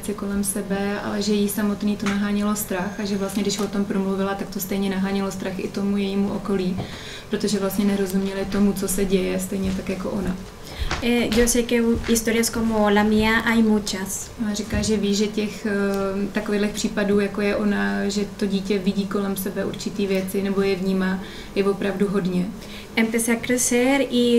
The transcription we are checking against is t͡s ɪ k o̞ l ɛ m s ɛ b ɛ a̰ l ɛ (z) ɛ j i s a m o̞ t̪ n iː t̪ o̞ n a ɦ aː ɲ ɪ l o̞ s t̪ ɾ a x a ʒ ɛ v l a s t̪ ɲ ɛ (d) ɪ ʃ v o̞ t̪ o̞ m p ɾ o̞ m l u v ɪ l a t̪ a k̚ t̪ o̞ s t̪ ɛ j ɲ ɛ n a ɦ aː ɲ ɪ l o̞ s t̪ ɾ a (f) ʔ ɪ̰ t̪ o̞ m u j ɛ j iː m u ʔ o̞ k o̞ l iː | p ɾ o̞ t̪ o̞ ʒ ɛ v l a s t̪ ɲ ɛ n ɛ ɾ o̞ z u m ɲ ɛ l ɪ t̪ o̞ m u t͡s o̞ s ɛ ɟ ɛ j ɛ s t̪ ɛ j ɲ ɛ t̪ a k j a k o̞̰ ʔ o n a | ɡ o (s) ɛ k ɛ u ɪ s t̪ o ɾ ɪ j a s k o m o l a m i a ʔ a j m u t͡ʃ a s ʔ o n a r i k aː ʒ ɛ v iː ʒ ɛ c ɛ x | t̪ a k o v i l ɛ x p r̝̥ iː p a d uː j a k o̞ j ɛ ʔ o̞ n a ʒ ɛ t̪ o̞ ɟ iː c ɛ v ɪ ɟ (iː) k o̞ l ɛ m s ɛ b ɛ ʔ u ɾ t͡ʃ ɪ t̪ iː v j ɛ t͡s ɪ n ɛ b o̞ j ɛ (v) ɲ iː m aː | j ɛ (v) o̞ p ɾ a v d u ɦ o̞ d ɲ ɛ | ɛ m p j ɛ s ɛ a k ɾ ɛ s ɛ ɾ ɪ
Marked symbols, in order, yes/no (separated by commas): no, yes, no, yes, yes, yes, yes